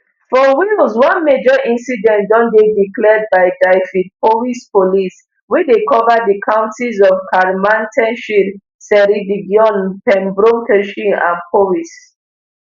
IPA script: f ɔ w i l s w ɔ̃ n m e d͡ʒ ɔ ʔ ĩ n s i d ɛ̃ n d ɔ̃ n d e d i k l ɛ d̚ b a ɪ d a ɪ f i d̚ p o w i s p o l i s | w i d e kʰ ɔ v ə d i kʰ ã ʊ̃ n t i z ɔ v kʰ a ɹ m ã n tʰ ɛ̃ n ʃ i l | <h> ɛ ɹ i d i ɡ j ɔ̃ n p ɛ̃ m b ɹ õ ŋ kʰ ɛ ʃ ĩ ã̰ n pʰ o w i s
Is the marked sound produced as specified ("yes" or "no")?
no